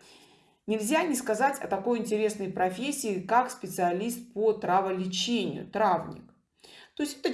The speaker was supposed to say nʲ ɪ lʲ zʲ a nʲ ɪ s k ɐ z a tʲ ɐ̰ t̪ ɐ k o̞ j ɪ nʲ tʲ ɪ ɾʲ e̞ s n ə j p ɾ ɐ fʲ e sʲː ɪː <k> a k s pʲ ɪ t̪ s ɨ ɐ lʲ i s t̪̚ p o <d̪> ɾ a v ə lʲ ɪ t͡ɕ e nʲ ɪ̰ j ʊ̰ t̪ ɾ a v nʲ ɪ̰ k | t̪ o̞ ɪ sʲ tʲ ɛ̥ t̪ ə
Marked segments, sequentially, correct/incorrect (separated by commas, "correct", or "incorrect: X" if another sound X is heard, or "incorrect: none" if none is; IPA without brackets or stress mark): correct, incorrect: t̪